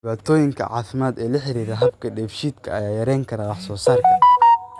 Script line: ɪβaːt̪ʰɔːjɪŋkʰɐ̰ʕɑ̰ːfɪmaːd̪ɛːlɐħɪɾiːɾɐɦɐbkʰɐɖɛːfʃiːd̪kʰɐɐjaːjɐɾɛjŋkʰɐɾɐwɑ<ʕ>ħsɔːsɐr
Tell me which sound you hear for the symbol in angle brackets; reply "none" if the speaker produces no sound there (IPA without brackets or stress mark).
none